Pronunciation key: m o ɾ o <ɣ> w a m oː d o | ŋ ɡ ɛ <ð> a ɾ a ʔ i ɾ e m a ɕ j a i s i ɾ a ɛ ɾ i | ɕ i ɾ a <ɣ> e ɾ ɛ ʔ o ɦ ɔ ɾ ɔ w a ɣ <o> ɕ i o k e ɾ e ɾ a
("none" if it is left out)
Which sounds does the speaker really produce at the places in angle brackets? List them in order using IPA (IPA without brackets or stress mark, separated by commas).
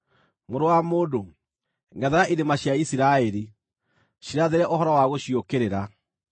none, ð, ð, o